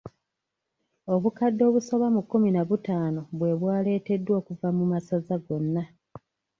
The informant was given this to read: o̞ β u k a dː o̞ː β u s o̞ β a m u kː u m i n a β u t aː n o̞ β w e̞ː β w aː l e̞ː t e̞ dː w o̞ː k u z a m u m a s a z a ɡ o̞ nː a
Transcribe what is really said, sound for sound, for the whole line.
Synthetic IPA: o̞ β u k a dː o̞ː β u s o̞ β a m u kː u m i n a β u t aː n o̞ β w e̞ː β w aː l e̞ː t e̞ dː w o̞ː k u v a m u m a s a z a ɡ o̞ nː a